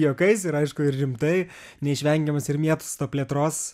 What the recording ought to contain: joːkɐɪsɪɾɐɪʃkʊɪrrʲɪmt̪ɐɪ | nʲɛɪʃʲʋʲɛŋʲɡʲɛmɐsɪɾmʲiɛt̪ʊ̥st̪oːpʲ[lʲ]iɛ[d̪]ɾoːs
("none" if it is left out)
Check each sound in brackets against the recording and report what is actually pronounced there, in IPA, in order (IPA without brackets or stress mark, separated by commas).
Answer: lʲ, t̪